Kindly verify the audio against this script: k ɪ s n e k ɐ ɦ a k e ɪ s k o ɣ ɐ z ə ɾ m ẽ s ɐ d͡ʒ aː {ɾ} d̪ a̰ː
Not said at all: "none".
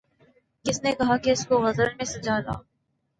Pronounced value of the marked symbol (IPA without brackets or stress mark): none